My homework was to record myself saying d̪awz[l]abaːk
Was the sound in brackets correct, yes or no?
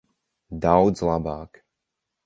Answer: yes